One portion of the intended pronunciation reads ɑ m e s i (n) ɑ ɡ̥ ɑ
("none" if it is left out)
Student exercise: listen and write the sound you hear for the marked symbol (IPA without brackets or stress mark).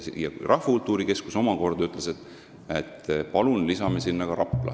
nː